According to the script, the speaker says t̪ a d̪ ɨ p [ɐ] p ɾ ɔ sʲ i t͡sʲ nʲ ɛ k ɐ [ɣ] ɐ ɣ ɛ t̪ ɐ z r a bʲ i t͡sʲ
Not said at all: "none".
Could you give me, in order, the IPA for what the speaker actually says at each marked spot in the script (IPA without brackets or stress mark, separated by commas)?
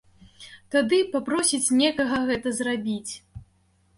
a, ɣ